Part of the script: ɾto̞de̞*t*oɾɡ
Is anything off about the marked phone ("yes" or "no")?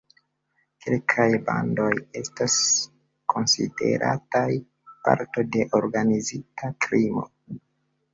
yes